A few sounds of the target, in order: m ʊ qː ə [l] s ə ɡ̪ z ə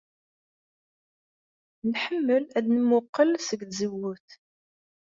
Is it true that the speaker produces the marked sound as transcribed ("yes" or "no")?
yes